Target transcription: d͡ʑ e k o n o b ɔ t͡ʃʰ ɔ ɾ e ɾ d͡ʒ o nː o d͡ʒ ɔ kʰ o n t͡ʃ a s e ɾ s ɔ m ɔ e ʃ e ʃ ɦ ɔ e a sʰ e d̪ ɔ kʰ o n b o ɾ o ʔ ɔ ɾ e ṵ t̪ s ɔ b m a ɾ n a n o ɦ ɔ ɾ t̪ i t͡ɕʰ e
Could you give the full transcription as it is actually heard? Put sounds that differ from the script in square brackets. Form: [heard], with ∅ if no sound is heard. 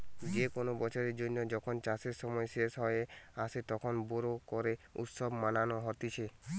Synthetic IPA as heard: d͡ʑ e k o n o b ɔ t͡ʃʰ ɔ ɾ e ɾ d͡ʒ o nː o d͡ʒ ɔ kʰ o n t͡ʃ a s e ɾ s ɔ m ɔ e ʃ e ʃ ɦ ɔ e a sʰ e [t̪] ɔ kʰ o n b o ɾ o [k] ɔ ɾ e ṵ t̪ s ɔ b m a [∅] n a n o ɦ ɔ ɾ t̪ i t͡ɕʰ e